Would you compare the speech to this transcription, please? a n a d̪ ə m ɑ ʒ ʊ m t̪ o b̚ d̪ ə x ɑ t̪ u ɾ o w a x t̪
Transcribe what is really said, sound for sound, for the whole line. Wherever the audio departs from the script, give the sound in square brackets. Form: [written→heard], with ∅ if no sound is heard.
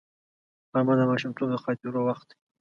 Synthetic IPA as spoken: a [n→m] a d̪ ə m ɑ [ʒ→ʃ] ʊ m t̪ o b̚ d̪ ə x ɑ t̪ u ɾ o w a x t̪